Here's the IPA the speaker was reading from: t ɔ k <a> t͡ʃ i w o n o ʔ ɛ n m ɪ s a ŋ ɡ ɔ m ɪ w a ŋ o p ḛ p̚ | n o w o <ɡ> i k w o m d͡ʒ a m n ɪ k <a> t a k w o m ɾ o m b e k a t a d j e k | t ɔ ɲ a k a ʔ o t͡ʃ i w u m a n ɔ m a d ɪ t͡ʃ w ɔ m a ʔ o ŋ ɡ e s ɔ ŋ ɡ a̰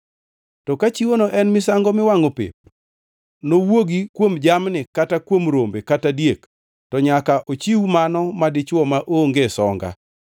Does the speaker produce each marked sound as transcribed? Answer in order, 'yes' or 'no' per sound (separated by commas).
yes, yes, yes